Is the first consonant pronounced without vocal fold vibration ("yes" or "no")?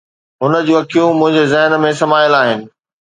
no